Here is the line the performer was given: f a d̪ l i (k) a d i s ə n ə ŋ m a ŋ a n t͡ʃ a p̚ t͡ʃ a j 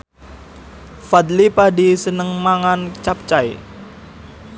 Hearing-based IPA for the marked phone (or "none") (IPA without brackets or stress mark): p